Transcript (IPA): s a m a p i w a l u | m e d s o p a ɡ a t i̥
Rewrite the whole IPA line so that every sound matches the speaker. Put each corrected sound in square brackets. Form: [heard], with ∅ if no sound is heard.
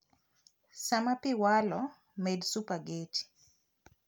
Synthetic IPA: s a m a p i w a l [ɔ] | m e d s [u] p a ɡ [e] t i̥